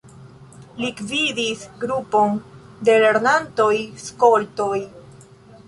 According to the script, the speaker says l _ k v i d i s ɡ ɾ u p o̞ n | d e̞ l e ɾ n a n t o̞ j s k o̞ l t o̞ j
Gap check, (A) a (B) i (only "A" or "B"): B